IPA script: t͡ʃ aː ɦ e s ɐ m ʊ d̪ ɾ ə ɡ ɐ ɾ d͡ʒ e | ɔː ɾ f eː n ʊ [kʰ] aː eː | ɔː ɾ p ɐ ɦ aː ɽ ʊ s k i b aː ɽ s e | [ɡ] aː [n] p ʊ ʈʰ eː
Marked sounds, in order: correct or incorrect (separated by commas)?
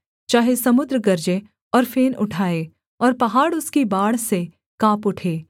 incorrect, incorrect, incorrect